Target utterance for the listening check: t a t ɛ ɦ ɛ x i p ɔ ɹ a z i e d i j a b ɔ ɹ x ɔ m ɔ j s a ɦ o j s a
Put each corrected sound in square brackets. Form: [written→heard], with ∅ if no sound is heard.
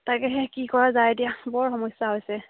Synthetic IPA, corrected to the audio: t a [t→k] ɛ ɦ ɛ [x→k] i [p→k] ɔ ɹ a z [i→a] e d i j a b ɔ ɹ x ɔ m ɔ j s a ɦ o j s [a→ɛ]